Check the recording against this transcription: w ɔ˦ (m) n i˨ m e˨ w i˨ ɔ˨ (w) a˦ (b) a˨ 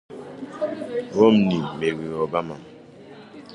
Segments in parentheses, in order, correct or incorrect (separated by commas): correct, incorrect, incorrect